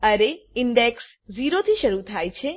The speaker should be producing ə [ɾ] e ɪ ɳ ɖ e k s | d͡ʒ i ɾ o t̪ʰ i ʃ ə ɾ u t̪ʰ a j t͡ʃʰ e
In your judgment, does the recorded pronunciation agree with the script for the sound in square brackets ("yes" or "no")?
yes